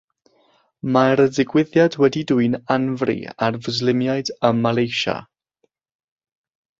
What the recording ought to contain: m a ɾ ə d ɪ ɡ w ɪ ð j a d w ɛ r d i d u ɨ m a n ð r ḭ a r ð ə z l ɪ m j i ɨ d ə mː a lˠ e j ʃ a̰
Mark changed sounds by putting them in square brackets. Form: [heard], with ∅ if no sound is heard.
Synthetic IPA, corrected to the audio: m a ɾ ə d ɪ ɡ w ɪ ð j a d w ɛ [∅] d i d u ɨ [n] a n [v] r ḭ a r [v] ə z l ɪ m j [a] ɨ d ə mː a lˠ e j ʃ a̰